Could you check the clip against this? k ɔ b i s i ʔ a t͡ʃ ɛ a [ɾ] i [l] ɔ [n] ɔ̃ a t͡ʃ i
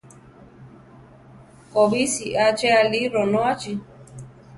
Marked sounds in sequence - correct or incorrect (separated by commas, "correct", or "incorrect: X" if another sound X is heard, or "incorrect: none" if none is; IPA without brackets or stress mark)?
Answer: incorrect: l, incorrect: ɾ, correct